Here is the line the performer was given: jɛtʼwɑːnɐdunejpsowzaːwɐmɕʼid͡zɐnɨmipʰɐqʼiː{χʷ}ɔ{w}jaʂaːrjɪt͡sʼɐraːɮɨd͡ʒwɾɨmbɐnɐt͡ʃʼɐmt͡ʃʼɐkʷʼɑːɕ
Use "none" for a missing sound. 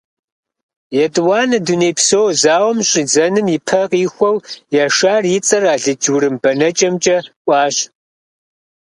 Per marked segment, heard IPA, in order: xʷ, w

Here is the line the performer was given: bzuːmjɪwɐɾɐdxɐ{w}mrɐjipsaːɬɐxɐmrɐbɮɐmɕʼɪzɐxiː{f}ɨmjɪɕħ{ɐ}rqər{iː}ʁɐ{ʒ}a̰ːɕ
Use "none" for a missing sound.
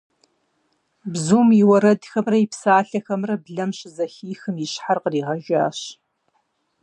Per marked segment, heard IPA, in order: none, x, a, iː, ʒ

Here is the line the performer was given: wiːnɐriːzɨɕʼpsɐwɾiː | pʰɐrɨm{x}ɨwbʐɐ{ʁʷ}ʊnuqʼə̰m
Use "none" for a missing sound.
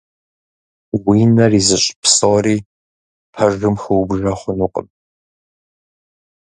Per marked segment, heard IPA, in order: x, χʷ

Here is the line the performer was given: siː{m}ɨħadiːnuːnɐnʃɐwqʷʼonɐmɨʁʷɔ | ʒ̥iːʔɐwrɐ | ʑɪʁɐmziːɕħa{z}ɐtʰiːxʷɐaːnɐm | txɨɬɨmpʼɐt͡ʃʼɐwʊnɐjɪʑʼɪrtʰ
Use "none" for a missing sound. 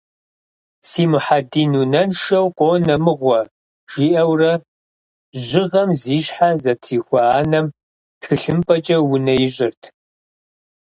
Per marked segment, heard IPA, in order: m, z

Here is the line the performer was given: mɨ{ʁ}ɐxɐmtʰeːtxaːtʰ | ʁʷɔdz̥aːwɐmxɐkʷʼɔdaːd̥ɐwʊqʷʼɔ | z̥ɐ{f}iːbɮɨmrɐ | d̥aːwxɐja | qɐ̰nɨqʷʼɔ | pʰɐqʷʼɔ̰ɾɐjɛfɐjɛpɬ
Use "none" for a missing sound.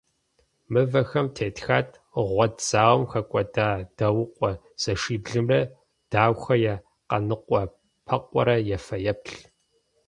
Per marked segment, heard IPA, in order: v, ʂ

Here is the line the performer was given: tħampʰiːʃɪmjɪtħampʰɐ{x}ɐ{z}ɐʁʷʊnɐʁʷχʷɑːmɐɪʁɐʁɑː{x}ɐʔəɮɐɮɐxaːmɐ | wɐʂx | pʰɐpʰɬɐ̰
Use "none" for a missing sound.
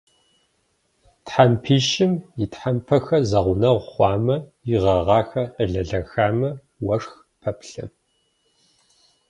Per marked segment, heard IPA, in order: x, z, x

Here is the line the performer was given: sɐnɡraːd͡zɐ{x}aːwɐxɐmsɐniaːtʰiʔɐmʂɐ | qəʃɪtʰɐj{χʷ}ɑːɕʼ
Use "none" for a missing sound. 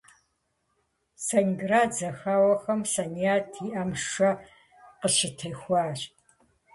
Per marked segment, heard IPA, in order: x, xʷ

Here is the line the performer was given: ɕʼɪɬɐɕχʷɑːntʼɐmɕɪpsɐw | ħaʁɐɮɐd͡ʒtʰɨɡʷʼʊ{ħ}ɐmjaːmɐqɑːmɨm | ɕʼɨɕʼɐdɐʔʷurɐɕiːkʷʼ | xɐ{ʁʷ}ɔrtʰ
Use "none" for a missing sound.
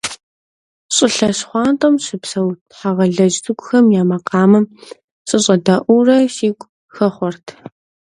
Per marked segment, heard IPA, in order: x, χʷ

